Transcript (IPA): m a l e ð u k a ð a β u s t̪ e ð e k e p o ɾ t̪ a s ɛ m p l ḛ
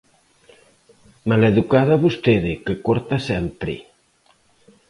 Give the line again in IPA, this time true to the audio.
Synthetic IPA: m a l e ð u k a ð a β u s t̪ e ð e k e k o ɾ t̪ a s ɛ m p ɾ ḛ